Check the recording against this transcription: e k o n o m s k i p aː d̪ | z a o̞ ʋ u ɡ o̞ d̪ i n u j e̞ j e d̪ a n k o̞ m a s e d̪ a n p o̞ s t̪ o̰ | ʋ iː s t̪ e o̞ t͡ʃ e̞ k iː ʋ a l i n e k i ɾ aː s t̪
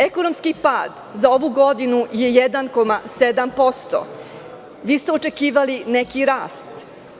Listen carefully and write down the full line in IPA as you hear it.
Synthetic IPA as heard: e k o n o m s k i p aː d̪ | z a o̞ ʋ u ɡ o̞ d̪ i n u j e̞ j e d̪ a n k o̞ m a s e d̪ a m p o̞ s t̪ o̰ | ʋ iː s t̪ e o̞ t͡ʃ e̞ k iː ʋ a l i n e k i ɾ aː s t̪